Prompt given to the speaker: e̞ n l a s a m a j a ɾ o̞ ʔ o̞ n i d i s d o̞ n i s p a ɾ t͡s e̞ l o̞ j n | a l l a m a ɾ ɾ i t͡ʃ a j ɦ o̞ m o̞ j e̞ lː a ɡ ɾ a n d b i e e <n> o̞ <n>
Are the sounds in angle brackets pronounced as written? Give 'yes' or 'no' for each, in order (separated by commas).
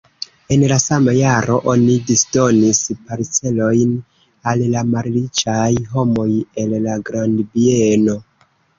yes, no